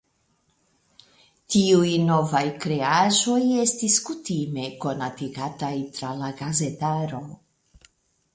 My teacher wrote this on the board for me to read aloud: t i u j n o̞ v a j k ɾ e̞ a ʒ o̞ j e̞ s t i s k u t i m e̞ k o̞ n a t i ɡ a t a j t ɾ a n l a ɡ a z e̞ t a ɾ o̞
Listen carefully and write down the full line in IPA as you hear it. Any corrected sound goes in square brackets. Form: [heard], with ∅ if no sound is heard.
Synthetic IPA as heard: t i u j n o̞ v a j k ɾ e̞ a ʒ o̞ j e̞ s t i s k u t i m e̞ k o̞ n a t i ɡ a t a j t ɾ a [∅] l a ɡ a z e̞ t a ɾ o̞

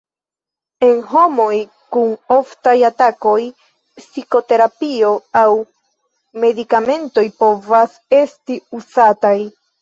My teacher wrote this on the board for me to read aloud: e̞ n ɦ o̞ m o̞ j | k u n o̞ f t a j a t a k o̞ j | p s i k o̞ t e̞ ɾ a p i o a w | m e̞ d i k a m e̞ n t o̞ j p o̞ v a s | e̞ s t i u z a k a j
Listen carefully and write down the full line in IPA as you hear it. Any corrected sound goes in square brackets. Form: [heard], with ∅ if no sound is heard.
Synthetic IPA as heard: e̞ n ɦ o̞ m o̞ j | k u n o̞ f t a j a t a k o̞ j | p s i k o̞ t e̞ ɾ a p i o a w | m e̞ d i k a m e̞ n t o̞ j p o̞ v a s | e̞ s t i u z a [t] a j

